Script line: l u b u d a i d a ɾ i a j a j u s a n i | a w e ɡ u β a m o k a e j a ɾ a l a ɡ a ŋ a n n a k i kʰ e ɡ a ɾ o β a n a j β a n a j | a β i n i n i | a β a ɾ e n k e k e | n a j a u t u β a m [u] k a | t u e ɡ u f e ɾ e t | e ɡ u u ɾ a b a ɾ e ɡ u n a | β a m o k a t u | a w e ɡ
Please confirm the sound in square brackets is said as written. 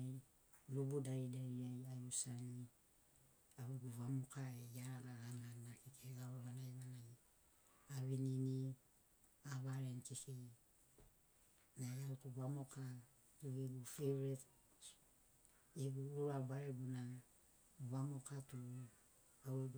no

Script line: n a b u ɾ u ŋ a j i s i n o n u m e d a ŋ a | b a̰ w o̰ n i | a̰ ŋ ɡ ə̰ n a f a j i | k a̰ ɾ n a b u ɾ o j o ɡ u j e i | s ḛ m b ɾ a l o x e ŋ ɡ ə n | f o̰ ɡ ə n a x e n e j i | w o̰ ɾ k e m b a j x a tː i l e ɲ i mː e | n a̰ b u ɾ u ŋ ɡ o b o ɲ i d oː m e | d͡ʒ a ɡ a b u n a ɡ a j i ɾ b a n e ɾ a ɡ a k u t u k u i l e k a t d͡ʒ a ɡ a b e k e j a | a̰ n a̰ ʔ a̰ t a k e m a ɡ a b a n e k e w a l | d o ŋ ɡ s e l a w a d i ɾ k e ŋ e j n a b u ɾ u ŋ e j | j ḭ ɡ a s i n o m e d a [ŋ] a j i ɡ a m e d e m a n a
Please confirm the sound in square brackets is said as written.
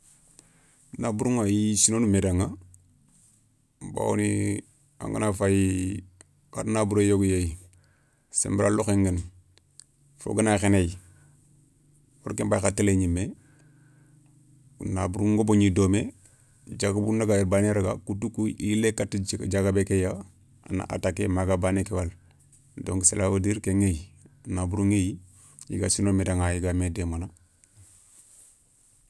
yes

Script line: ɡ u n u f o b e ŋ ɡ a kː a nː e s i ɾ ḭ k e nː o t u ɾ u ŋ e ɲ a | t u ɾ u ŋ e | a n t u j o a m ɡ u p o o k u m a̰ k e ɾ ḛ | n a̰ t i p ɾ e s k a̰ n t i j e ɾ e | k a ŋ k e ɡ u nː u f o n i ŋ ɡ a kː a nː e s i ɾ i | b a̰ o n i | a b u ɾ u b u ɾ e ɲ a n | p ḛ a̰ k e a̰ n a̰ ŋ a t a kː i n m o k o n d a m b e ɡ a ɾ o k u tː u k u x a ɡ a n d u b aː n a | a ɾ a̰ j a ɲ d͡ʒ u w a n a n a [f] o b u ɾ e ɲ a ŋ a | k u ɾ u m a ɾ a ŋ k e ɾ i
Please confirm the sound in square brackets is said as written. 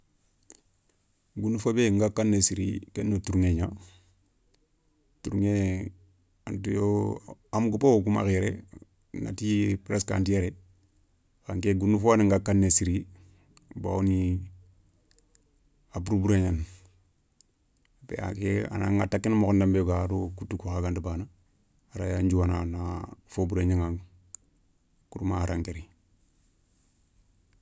yes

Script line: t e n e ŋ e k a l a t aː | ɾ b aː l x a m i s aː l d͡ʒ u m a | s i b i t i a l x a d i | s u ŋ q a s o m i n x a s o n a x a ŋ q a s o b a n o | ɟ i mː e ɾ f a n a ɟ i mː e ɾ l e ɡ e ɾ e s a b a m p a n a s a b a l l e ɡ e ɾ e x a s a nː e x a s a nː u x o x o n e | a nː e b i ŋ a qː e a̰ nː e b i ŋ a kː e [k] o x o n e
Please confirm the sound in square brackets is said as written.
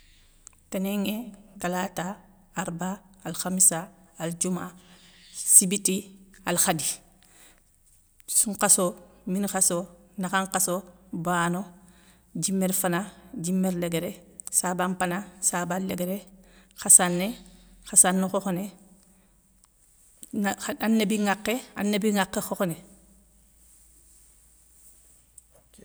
no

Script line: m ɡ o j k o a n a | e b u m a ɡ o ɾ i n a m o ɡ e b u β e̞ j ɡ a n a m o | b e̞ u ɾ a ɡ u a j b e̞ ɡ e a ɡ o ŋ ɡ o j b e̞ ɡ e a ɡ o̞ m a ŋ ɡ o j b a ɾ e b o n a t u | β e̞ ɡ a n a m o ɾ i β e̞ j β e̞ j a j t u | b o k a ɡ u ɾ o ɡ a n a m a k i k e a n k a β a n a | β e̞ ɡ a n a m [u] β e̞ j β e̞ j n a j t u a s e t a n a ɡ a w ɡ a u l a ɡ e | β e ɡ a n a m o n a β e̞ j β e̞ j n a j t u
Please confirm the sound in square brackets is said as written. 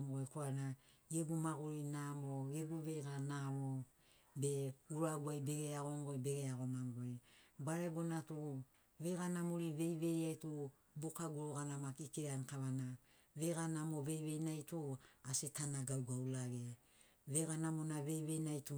no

